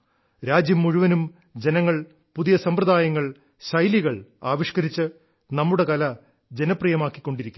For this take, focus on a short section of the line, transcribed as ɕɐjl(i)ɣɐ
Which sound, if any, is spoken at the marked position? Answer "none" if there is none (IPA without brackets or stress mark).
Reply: i